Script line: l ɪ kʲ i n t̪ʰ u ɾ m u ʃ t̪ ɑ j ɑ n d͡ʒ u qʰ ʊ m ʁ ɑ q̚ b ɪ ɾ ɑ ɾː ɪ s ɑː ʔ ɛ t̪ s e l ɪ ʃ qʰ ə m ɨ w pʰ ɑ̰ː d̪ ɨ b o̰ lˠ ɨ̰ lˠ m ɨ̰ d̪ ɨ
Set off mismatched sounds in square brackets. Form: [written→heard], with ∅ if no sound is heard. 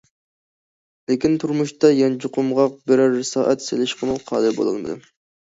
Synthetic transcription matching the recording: l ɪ kʲ i n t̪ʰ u ɾ m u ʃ t̪ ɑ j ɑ n d͡ʒ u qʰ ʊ m ʁ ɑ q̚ b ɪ ɾ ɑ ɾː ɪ s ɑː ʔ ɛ t̪ s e l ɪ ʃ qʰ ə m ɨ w [pʰ→qʰ] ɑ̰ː d̪ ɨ b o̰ lˠ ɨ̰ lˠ m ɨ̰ d̪ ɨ

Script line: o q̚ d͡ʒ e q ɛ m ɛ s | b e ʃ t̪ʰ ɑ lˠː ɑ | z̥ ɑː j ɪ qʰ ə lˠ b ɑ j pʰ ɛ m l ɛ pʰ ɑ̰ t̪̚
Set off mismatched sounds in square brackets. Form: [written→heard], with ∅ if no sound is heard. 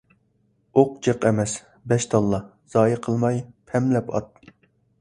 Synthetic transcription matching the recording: o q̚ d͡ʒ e q ɛ m ɛ s | b [e→ɛ] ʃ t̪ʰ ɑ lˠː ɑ | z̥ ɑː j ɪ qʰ ə lˠ [b→m] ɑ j pʰ ɛ m l ɛ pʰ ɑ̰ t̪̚

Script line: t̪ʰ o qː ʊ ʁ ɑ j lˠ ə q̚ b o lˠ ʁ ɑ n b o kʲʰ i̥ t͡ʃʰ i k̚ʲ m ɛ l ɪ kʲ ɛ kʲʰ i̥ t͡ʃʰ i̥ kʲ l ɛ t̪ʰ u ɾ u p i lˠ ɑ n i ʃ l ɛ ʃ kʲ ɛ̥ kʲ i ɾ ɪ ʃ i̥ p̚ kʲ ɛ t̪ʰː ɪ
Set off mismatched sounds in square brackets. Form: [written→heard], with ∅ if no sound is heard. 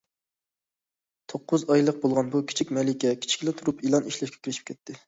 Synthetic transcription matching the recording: t̪ʰ o qː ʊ [ʁ→z] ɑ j lˠ ə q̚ b o lˠ ʁ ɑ n b [o→u] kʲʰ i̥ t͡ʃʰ i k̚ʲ m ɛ l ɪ kʲ ɛ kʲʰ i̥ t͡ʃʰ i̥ kʲ l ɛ t̪ʰ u ɾ u p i lˠ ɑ n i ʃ l ɛ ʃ kʲ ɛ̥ kʲ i ɾ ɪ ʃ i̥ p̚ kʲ ɛ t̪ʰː ɪ

